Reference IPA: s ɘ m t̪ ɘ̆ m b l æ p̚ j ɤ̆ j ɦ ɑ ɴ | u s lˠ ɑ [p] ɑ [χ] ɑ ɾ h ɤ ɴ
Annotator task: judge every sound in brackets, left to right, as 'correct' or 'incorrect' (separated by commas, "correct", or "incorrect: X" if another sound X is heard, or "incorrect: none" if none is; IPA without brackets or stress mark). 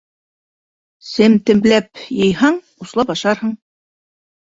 correct, incorrect: ʃ